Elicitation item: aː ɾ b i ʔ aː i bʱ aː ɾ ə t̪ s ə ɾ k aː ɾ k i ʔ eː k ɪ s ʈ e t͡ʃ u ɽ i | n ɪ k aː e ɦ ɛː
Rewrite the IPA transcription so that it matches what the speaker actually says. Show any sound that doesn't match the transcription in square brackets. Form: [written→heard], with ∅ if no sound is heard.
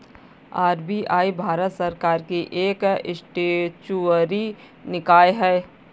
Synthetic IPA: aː ɾ b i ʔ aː i bʱ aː ɾ ə t̪ s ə ɾ k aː ɾ k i ʔ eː k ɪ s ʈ e t͡ʃ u [ɽ→ɾ] i | n ɪ k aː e ɦ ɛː